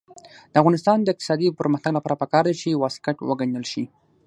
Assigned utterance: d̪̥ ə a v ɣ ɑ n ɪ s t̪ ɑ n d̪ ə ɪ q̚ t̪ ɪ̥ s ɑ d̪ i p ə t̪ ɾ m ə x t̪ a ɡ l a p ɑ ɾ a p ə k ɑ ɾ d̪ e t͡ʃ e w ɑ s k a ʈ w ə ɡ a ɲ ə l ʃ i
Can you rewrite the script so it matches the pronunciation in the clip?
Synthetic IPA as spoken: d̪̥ ə a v ɣ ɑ n ɪ s t̪ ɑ n d̪ ə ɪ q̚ t̪ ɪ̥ s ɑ d̪ i p ə ɾ m ə x t̪ a ɡ l a p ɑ ɾ a p ə k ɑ ɾ d̪ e t͡ʃ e w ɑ s k a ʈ w ə ɡ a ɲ ə l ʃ i

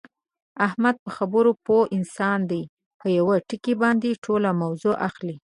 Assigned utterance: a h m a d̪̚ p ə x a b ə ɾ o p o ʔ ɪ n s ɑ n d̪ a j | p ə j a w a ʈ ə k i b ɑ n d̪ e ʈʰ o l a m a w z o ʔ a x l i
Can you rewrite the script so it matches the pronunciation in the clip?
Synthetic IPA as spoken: a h m a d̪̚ p ə x a b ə ɾ o p o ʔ ɪ n s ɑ n d̪ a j | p ə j a w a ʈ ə k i b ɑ n d̪ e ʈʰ o l a m a w z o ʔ a x l i

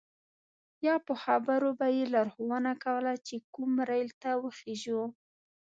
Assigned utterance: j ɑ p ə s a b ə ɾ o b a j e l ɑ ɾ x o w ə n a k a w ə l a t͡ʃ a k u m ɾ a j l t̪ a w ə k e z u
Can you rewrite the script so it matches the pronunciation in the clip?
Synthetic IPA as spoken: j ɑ p ə x a b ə ɾ o b a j e l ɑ ɾ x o w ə n a k a w ə l a t͡ʃ e k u m ɾ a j l t̪ a w ə x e ʒ u

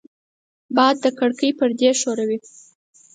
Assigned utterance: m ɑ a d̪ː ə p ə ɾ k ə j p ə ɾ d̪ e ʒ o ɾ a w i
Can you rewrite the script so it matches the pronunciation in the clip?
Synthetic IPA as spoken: b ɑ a d̪ː ə k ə ɽ k ə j p ə ɾ d̪ e ʃ o ɾ a w i

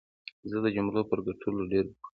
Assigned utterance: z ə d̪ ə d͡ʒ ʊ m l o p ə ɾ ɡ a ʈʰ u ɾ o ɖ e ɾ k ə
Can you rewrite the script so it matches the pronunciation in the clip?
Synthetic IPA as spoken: z ə d̪ ə d͡ʒ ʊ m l o p ə ɾ ɡ a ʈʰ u l o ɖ e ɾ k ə

